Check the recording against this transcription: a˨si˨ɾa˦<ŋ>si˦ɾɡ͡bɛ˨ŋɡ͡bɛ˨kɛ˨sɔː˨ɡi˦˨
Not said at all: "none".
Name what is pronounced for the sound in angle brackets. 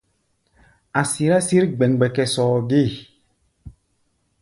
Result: none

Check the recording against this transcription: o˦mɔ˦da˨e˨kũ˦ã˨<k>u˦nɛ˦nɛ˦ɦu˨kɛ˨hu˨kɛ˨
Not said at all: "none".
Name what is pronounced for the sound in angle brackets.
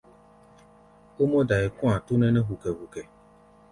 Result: t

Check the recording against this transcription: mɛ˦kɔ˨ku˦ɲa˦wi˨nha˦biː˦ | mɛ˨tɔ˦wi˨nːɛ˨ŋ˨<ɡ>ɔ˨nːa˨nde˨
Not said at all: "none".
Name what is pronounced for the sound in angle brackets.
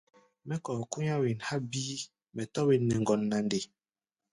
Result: ɡ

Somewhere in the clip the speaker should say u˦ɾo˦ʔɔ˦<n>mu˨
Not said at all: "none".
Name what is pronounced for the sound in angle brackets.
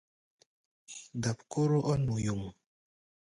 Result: n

